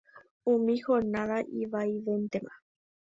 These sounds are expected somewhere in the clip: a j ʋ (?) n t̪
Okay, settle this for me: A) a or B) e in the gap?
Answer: B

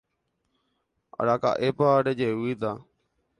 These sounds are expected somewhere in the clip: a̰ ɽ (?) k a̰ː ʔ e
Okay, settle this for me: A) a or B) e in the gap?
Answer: A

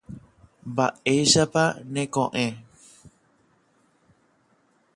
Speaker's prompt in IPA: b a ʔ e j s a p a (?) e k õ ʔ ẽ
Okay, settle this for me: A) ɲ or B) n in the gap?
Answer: B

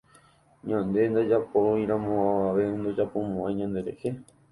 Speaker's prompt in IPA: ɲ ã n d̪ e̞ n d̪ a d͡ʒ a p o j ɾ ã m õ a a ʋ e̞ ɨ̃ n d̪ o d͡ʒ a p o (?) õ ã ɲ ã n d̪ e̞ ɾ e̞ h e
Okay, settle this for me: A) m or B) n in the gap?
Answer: A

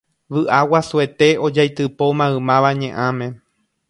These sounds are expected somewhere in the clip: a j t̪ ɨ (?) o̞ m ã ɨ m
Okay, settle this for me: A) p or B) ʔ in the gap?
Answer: A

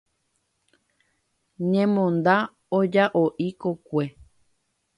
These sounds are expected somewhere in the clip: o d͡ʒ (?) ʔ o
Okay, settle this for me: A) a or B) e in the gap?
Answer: A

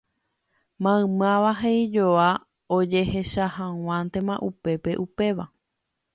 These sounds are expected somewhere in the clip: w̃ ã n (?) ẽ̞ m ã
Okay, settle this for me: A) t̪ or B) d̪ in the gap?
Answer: A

